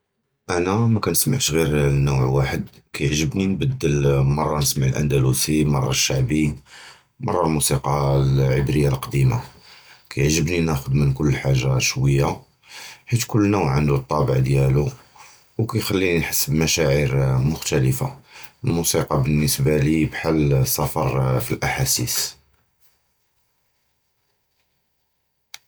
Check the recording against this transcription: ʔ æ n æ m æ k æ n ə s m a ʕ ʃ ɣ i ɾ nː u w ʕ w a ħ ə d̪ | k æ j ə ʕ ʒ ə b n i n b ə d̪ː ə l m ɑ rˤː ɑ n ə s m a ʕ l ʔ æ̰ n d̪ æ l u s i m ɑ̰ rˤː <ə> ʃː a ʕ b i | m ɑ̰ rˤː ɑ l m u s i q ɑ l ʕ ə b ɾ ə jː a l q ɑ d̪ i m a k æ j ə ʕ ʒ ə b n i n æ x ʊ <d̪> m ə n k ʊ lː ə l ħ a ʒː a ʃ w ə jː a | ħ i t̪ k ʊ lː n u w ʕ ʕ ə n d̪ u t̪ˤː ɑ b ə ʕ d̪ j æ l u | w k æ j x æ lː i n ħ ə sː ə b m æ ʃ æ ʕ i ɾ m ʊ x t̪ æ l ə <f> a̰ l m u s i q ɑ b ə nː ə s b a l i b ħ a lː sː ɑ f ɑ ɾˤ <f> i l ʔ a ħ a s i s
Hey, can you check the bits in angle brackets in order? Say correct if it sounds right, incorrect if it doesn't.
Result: incorrect, correct, correct, correct

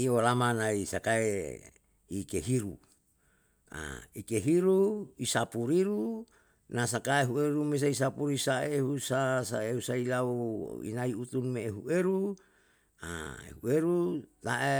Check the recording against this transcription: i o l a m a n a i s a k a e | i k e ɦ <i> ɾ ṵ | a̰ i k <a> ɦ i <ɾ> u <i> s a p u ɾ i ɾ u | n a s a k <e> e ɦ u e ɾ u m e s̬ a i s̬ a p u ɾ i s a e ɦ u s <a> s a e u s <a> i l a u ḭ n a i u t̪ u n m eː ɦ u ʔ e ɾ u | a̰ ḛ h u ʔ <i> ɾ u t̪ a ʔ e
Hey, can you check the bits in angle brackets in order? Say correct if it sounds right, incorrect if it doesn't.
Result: correct, incorrect, correct, correct, incorrect, correct, correct, incorrect

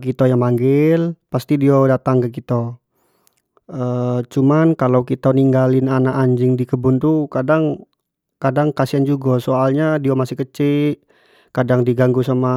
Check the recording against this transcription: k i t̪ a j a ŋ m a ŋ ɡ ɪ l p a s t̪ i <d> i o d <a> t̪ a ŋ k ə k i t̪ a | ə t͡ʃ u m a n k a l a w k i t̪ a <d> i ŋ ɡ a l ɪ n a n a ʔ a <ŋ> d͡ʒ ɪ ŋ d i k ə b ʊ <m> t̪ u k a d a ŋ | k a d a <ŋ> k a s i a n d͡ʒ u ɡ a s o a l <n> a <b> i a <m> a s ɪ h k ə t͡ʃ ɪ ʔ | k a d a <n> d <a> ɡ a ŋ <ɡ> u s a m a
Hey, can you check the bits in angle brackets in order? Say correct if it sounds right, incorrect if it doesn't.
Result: correct, correct, incorrect, incorrect, incorrect, correct, incorrect, incorrect, correct, incorrect, incorrect, correct

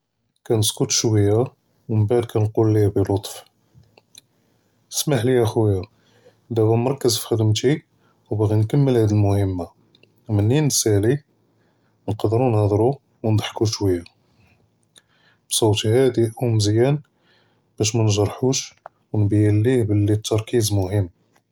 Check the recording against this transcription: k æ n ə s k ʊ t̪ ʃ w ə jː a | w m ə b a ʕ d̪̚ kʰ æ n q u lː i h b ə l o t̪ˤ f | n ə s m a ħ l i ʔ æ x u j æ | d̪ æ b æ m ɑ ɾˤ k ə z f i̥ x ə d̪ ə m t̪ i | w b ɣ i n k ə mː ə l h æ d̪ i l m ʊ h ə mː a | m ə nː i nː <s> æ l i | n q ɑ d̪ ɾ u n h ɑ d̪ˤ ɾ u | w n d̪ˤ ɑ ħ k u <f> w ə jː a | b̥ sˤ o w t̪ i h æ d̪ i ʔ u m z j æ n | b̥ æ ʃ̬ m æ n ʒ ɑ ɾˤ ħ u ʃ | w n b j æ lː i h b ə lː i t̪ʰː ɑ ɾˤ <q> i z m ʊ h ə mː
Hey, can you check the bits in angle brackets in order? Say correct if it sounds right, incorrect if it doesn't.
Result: correct, incorrect, incorrect

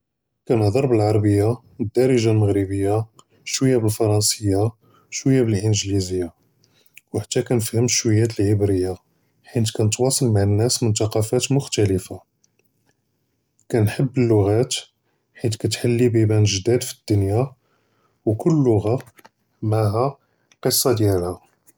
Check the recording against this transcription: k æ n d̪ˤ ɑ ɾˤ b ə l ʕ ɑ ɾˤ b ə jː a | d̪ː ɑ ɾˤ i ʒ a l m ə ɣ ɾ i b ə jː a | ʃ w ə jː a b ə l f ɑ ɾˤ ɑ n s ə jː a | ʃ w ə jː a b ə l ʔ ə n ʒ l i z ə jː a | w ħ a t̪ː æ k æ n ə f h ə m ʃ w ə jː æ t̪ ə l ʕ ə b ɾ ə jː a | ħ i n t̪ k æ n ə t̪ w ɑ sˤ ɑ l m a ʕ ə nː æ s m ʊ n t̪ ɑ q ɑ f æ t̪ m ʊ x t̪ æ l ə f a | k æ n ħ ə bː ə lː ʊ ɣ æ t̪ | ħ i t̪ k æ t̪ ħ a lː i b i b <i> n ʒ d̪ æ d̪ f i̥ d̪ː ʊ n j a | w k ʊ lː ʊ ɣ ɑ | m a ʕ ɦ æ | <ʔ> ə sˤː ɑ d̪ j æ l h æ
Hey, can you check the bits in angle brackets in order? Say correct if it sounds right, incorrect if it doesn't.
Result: incorrect, incorrect

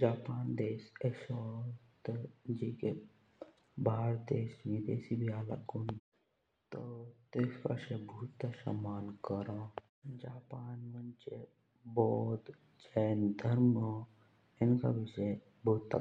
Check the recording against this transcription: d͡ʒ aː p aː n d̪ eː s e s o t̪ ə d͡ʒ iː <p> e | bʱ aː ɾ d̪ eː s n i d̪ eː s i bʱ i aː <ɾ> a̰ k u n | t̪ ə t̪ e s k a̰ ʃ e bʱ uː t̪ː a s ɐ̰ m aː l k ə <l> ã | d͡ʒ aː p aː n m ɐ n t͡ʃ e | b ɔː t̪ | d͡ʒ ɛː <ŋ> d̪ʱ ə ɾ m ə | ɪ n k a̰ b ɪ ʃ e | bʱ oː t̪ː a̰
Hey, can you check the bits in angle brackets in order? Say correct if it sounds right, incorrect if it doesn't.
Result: incorrect, incorrect, incorrect, incorrect

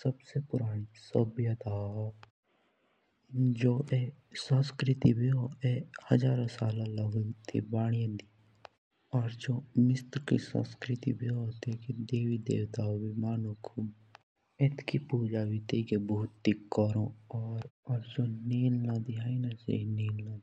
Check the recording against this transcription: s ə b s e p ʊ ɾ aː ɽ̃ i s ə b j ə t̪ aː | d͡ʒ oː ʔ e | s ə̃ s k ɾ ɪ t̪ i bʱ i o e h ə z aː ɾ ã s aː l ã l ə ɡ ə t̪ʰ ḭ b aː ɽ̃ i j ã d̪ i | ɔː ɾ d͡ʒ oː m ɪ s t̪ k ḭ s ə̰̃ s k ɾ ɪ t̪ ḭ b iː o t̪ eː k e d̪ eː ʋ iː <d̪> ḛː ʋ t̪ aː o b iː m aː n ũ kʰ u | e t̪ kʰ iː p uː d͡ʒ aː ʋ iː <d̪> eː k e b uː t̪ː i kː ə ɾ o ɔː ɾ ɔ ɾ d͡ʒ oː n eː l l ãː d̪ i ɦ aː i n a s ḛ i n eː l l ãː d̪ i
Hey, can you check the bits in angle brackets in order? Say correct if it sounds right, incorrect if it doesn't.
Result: correct, incorrect

